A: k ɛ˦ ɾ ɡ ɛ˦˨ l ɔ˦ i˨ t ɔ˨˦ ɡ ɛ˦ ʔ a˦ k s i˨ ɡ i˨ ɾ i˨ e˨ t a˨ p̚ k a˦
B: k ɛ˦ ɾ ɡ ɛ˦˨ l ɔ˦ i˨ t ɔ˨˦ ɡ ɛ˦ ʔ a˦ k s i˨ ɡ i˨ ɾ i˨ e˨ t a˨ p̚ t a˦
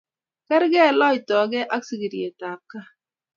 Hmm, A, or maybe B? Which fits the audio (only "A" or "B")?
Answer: A